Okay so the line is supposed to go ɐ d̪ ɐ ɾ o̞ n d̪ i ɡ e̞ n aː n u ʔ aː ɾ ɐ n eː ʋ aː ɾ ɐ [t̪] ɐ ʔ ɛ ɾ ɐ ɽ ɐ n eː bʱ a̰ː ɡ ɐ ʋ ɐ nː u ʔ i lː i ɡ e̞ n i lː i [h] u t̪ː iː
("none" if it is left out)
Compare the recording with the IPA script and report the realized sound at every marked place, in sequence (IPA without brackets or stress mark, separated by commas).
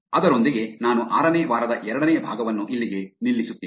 d̪, s